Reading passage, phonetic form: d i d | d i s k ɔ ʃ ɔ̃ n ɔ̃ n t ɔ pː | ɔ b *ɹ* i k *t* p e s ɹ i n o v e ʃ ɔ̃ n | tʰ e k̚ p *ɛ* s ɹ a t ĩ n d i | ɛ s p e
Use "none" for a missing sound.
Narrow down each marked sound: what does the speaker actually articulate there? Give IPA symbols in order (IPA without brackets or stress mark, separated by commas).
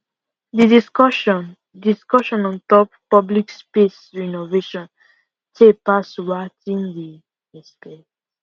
l, s, a